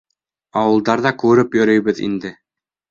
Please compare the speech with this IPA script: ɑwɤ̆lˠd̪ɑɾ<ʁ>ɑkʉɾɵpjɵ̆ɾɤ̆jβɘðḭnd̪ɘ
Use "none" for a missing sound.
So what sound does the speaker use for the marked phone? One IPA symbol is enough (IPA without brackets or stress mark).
ð